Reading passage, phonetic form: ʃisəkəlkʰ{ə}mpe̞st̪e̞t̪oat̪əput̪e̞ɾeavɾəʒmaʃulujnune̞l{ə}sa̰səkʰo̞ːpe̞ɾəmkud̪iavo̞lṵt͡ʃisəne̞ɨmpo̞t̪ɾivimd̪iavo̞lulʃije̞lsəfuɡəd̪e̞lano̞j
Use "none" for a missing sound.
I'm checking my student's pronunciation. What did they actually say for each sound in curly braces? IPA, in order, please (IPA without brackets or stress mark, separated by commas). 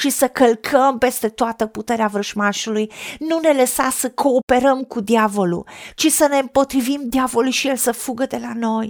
ə, ə